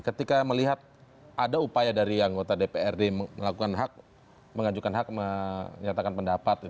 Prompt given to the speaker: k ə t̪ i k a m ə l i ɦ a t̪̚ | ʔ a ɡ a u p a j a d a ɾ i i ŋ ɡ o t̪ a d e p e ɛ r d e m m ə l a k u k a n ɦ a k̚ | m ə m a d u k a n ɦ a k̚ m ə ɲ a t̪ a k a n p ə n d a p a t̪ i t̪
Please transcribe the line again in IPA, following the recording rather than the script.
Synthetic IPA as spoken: k ə t̪ i k a m ə l i ɦ a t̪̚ | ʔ a d a u p a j a d a ɾ i a ŋ ɡ o t̪ a d e p e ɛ r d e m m ə l a k u k a n ɦ a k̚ | m ə ŋ a d͡ʒ u k a n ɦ a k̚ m ə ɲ a t̪ a k a n p ə n d a p a t̪ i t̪